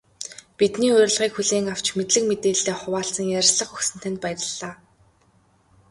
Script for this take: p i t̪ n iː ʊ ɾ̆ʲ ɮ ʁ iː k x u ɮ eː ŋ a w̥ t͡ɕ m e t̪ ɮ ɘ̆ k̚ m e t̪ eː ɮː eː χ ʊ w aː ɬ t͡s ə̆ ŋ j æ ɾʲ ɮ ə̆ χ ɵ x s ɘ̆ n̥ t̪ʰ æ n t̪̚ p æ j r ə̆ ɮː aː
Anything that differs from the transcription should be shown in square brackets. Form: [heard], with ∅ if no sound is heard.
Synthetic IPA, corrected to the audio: p i t̪ n iː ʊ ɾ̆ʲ ɮ ʁ iː k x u ɮ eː ŋ a w̥ t͡ɕ m e t̪ ɮ ɘ̆ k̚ m e t̪ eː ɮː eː χ ʊ w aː ɬ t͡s ə̆ ŋ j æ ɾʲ ɮ ə̆ χ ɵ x s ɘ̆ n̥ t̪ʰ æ n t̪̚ p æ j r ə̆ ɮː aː

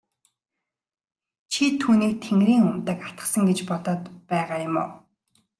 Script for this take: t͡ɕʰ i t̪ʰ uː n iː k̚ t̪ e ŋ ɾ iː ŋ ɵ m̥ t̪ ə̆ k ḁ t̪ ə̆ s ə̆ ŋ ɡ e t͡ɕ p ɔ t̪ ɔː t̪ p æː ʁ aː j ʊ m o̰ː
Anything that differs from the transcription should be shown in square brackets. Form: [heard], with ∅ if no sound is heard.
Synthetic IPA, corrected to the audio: t͡ɕʰ i t̪ʰ uː n iː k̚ [t̪ʰ] e ŋ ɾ iː ŋ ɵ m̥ t̪ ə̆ k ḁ t̪ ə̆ s ə̆ ŋ ɡ e t͡ɕ p ɔ t̪ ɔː t̪ p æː ʁ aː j ʊ m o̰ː

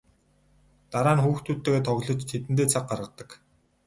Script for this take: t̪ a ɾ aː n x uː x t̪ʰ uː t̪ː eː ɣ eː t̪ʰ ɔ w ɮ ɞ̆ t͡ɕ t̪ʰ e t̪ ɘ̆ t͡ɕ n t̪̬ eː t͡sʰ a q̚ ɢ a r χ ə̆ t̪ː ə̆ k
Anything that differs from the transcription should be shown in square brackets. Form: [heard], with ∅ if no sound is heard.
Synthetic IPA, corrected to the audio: t̪ a ɾ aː n x uː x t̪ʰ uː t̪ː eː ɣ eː t̪ʰ ɔ [ɣ] ɮ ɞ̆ t͡ɕ t̪ʰ e t̪ ɘ̆ [∅] n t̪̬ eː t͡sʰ a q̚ ɢ a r [ʁ] ə̆ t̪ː ə̆ k

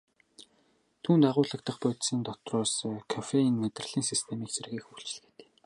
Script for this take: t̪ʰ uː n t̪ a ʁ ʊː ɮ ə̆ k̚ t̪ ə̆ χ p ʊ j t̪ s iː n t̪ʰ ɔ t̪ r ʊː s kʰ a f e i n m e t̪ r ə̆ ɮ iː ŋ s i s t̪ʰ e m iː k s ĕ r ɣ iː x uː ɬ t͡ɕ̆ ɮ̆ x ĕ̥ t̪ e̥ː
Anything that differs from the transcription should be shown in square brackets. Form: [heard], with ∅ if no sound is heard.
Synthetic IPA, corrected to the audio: t̪ʰ uː n t̪ a ʁ ʊː ɮ ə̆ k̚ t̪ ə̆ χ p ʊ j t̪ s iː n [t̪] ɔ t̪ r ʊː s kʰ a f e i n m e t̪ r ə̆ ɮ iː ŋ s i s t̪ʰ e m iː k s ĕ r ɣ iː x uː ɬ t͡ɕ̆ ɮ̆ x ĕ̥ t̪ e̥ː

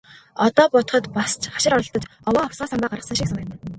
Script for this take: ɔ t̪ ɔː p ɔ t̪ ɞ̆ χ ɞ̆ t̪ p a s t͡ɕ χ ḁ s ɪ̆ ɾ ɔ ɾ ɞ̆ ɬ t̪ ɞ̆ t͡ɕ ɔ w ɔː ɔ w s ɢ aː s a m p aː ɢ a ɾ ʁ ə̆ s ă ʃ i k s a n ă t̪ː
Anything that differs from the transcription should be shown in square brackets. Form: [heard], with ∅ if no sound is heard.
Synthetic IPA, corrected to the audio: ɔ t̪ ɔː p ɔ t̪ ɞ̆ χ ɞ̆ t̪ p a s t͡ɕ χ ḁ [ʃ] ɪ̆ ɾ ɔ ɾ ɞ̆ ɬ t̪ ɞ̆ t͡ɕ ɔ w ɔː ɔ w s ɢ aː s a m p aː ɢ a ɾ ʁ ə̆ s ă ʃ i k s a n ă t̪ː

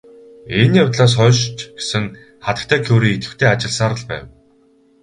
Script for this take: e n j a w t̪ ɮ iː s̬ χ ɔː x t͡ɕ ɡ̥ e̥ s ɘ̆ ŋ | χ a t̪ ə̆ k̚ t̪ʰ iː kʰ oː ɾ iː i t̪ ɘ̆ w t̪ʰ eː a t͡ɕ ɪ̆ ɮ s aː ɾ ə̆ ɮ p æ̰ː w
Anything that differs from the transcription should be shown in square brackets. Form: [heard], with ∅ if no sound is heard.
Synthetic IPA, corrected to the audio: e n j a w t̪ ɮ [aː] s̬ χ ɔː [ʃ] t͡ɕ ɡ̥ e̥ s ɘ̆ ŋ | χ a t̪ ə̆ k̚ t̪ʰ [æː] kʰ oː ɾ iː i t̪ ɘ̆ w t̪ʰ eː a t͡ɕ ɪ̆ ɮ s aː ɾ ə̆ ɮ p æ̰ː w

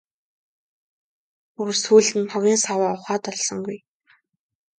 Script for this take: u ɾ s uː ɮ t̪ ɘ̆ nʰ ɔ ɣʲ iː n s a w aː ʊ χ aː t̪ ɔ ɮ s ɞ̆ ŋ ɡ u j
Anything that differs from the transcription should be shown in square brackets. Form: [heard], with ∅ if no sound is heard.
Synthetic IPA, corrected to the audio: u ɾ s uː ɮ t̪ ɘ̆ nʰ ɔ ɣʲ iː n s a w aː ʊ χ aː t̪ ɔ ɮ s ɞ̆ ŋ ɡ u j

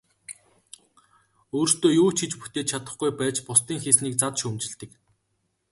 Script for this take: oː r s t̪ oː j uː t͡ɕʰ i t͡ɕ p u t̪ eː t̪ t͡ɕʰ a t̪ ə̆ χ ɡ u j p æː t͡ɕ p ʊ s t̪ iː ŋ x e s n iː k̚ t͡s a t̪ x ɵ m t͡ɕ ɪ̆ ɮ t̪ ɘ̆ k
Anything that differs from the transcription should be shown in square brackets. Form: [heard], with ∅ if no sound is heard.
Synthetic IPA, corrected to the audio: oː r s t̪ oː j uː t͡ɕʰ i t͡ɕ p u t̪ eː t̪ t͡ɕʰ a t̪ ə̆ χ ɡ u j p æː t͡ɕ p ʊ s t̪ iː ŋ x e s n iː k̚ t͡s a t̪ [ʃ] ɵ m t͡ɕ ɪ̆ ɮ t̪ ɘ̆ k

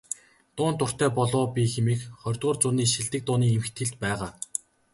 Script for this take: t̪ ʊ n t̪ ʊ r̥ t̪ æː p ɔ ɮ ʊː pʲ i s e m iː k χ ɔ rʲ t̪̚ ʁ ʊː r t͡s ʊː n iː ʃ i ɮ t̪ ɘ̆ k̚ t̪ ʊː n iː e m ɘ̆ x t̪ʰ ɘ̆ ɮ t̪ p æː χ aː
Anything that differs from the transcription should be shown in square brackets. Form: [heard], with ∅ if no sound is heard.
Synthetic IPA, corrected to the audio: t̪ [ʊː] n t̪ ʊ r̥ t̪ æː p ɔ ɮ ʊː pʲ i [x] e m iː k χ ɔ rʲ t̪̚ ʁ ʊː r t͡s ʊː n iː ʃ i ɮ t̪ ɘ̆ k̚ t̪ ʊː n iː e m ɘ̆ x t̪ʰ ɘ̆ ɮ t̪ p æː [ʁ] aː

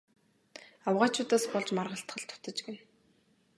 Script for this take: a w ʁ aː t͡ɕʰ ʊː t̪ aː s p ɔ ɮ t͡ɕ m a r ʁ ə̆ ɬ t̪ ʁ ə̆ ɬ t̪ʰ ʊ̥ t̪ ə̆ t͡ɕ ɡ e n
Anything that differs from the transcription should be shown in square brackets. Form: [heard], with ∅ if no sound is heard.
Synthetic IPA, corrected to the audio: a w ʁ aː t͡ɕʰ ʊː t̪ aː s p ɔ ɮ t͡ɕ m a r ʁ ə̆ ɬ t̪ [χ] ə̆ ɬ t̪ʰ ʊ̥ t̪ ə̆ t͡ɕ ɡ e n

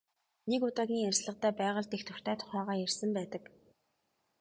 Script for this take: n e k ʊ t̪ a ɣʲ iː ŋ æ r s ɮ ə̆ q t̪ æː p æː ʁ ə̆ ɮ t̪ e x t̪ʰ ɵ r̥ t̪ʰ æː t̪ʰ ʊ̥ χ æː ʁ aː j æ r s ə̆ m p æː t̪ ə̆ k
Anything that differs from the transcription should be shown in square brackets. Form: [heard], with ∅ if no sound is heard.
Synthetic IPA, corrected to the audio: n e k ʊ t̪ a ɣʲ iː ŋ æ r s ɮ ə̆ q t̪ æː p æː ʁ ə̆ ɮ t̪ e x t̪ʰ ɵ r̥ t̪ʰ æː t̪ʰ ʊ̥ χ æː ʁ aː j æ r s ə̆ m p æː t̪ ə̆ k

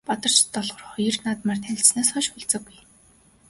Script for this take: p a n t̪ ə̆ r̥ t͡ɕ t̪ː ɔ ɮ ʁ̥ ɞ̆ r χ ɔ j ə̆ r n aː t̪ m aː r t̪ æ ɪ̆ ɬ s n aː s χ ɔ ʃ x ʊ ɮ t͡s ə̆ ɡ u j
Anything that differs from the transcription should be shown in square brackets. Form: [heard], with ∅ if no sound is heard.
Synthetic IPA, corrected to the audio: p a [∅] t̪ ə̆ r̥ t͡ɕ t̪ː ɔ ɮ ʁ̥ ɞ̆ r χ ɔ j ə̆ r n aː t̪ m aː r [t̪ʰ] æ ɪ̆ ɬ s n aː s χ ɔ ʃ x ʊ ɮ t͡s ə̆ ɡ u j

